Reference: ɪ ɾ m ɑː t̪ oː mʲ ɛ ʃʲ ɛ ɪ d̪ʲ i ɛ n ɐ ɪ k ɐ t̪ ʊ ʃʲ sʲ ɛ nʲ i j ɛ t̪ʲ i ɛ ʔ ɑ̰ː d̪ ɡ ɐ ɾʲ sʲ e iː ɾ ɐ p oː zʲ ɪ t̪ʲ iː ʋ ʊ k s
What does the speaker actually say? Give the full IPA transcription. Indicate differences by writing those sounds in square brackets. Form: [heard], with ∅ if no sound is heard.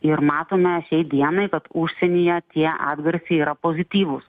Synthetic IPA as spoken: ɪ ɾ m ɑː t̪ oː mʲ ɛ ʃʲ ɛ ɪ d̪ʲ i ɛ n ɐ ɪ k ɐ t̪ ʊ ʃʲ sʲ ɛ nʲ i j ɛ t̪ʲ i ɛ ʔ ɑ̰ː d̪ ɡ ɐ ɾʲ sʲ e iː ɾ ɐ p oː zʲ ɪ t̪ʲ iː ʋ ʊ [∅] s